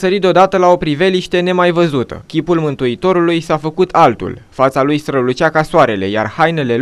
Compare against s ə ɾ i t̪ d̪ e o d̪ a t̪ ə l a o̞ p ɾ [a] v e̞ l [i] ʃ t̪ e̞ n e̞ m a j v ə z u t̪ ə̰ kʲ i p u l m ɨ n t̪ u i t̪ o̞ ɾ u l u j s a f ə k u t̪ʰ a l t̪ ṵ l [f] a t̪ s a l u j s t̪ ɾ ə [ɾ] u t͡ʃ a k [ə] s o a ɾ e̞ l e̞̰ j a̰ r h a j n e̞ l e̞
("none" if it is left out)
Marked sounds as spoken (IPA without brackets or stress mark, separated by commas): i, i, f, l, a